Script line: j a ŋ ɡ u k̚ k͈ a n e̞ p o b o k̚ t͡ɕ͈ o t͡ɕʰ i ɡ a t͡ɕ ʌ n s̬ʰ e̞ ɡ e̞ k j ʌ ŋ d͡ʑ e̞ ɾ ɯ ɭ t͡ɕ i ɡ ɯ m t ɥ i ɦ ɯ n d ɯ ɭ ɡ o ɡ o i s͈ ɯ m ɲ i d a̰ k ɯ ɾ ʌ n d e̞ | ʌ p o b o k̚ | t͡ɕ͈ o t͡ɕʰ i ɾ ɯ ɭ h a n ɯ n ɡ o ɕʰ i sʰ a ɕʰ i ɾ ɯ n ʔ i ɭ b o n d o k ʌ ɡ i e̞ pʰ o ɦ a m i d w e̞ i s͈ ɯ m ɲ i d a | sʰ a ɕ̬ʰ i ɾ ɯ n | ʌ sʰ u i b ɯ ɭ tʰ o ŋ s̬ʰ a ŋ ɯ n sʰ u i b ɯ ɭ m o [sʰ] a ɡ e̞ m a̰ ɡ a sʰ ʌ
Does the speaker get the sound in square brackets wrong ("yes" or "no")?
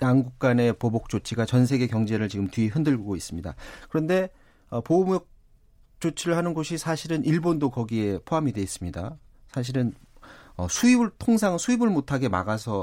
yes